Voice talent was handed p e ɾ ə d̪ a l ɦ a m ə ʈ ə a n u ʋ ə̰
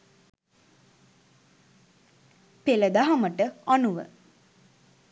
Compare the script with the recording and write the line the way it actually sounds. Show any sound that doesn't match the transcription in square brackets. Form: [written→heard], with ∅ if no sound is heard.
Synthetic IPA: p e [ɾ→l] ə d̪ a [l→∅] ɦ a m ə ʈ ə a n u ʋ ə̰